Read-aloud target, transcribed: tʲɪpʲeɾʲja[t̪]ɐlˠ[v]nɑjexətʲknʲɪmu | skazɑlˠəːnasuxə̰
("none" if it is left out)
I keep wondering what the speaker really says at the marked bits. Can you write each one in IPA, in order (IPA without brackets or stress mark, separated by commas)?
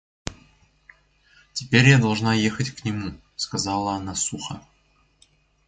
d̪, ʐ